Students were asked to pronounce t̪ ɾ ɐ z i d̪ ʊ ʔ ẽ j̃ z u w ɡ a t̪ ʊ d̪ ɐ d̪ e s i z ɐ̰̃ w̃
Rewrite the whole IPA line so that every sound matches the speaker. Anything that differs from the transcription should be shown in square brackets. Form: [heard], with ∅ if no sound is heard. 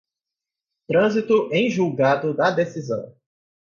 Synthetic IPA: t̪ ɾ [ɐ̃] z i [t̪] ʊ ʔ ẽ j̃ [ʒ] u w ɡ a [d̪] ʊ d̪ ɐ d̪ e s i z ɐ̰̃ w̃

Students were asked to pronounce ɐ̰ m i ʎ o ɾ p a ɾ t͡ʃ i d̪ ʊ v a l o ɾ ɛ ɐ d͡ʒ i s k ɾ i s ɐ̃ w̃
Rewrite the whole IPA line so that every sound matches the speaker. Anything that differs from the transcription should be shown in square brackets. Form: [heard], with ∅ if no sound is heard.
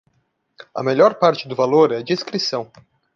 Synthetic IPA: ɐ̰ m [e] ʎ [ɔ] ɾ p a ɾ t͡ʃ [ɪ] d̪ ʊ v a l o ɾ ɛ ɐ d͡ʒ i s k ɾ i s ɐ̃ w̃

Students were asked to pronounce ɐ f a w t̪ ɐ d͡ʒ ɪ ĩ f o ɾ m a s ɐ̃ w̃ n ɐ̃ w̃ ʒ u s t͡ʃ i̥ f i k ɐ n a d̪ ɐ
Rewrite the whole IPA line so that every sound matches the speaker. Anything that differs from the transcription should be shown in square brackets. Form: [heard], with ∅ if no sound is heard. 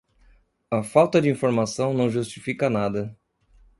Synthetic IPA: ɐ f a w t̪ ɐ d͡ʒ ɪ ĩ f o ɾ m a s ɐ̃ w̃ n ɐ̃ w̃ ʒ u s t͡ʃ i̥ f i k ɐ n a d̪ ɐ

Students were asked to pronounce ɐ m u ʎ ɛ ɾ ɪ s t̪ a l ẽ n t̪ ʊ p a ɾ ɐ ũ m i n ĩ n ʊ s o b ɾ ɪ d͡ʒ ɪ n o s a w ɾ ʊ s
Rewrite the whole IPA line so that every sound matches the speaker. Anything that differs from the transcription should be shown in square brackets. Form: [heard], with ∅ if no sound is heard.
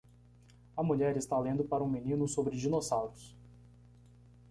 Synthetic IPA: ɐ m u ʎ ɛ ɾ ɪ s t̪ a l ẽ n [d̪] ʊ p a ɾ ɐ ũ m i n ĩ n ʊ s o b ɾ ɪ d͡ʒ [i] n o s a w ɾ ʊ s

